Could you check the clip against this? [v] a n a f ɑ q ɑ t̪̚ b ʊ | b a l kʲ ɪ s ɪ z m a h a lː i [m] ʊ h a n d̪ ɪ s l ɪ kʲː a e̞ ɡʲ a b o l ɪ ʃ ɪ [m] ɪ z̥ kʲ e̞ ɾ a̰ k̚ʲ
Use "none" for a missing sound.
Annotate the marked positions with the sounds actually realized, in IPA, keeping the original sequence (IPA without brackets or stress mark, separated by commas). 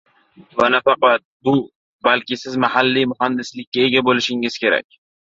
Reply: v, m, ŋ